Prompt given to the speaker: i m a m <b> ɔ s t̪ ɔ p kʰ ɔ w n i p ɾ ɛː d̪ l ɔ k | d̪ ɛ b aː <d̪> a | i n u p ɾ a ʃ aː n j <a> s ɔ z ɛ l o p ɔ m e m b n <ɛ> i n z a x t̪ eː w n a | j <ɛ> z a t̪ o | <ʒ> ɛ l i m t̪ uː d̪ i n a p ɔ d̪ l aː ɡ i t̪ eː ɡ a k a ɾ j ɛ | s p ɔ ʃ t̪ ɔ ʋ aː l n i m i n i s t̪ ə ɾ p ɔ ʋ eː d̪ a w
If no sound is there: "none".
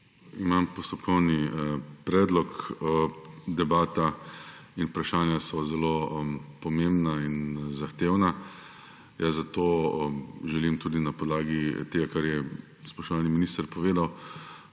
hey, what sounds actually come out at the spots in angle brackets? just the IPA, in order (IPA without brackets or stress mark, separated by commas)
p, t̪, a, a, a, ʒ